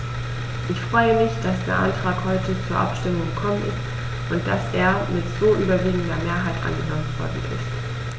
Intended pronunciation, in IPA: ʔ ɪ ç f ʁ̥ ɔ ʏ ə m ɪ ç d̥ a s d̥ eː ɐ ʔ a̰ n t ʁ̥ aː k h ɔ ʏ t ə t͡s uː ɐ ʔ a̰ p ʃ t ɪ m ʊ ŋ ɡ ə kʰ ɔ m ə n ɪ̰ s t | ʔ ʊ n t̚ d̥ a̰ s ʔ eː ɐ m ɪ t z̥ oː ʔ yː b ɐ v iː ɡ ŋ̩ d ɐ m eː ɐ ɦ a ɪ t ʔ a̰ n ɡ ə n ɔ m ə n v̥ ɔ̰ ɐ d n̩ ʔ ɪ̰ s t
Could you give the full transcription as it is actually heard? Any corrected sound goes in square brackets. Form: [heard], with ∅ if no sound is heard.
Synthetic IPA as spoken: ʔ ɪ ç f ʁ̥ ɔ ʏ ə m ɪ ç d̥ a s d̥ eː ɐ ʔ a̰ n t ʁ̥ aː k h ɔ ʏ t ə t͡s uː ɐ ʔ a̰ p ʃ t ɪ m ʊ ŋ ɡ ə kʰ ɔ m ə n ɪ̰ s t | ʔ ʊ n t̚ d̥ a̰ s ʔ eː ɐ m ɪ t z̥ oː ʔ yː b ɐ v iː ɡ ŋ̩ d ɐ m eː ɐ ɦ a ɪ t ʔ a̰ n ɡ ə n ɔ m ə n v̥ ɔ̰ ɐ d n̩ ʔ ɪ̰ s t